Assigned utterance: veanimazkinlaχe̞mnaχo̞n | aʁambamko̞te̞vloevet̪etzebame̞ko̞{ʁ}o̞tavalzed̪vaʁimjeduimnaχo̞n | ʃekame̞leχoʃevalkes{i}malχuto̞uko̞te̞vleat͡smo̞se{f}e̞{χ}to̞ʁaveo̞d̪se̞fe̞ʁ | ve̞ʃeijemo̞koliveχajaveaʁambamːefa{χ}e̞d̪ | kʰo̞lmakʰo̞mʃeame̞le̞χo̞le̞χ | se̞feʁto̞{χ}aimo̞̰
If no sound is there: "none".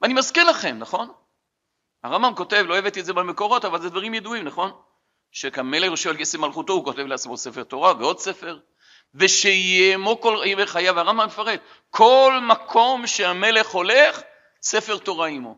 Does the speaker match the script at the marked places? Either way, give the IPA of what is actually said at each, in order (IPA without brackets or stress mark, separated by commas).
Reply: ʁ, e, f, ʁ, ʁ, ʁ